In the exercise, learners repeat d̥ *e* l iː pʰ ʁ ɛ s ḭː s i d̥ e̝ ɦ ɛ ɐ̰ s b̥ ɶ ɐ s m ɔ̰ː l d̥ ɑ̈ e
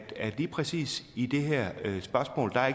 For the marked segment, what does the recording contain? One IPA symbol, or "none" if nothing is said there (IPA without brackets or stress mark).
æ